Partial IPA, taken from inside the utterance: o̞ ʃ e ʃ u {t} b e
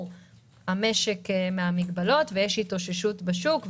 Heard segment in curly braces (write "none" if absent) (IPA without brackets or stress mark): t